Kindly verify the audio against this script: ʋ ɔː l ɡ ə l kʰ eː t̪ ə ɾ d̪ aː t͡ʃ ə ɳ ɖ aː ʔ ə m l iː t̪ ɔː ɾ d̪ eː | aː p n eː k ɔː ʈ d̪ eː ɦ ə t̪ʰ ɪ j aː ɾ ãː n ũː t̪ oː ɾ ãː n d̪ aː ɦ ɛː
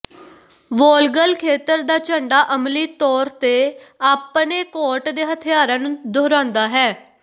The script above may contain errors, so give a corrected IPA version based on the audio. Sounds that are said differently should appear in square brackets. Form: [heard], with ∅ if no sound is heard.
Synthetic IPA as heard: ʋ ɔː l ɡ ə l kʰ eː t̪ ə ɾ d̪ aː t͡ʃ ə ɳ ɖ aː ʔ ə m l iː t̪ ɔː ɾ [t̪] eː | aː p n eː k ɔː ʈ d̪ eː ɦ ə t̪ʰ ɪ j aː ɾ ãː n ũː [d̪] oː ɾ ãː n d̪ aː ɦ ɛː